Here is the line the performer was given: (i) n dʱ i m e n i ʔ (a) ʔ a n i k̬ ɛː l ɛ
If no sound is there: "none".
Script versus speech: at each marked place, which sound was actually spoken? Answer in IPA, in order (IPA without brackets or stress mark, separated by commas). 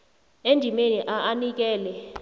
e, a